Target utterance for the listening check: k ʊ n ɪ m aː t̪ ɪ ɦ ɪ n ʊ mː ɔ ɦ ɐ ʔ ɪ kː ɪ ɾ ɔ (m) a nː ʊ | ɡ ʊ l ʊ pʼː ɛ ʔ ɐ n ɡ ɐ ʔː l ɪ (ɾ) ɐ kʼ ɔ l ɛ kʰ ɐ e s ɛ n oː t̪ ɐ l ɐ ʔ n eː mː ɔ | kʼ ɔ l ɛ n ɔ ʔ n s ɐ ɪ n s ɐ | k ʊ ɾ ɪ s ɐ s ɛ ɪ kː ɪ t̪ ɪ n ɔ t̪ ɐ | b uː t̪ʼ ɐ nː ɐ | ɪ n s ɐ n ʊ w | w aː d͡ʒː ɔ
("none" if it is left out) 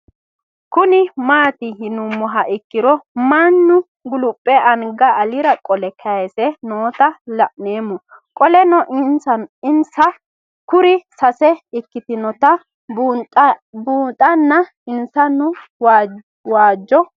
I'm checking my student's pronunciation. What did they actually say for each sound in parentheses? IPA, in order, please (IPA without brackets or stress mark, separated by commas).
m, ɾ